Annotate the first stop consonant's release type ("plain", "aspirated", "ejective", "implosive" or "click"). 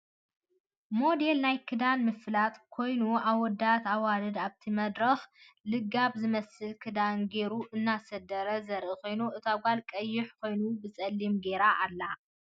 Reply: plain